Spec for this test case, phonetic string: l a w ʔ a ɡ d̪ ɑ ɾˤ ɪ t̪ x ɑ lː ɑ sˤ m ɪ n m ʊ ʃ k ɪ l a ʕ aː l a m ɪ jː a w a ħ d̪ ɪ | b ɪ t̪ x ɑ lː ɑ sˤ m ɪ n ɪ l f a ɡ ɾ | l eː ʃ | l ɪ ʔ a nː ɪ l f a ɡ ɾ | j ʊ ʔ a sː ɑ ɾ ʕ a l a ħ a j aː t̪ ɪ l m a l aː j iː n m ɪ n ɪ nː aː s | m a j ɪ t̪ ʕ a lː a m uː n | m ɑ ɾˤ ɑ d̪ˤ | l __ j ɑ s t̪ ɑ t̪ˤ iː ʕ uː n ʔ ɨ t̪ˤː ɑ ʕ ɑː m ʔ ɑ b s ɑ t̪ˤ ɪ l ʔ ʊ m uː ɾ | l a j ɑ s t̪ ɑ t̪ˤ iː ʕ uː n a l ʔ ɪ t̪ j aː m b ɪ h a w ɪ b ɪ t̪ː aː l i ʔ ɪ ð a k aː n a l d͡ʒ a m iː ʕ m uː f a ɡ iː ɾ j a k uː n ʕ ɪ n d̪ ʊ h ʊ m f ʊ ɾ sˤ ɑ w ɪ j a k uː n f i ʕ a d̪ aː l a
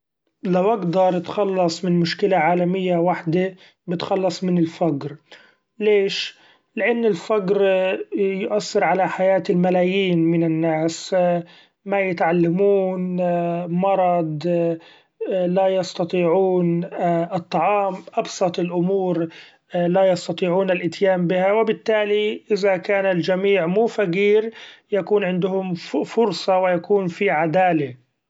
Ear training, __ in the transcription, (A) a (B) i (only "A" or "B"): A